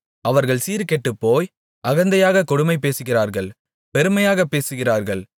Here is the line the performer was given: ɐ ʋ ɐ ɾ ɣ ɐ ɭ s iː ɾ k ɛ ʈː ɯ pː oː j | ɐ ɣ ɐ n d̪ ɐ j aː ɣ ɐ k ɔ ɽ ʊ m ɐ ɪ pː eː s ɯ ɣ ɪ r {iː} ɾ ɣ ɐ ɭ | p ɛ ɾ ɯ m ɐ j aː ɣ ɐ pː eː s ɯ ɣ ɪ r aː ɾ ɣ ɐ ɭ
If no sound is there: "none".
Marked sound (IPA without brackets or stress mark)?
aː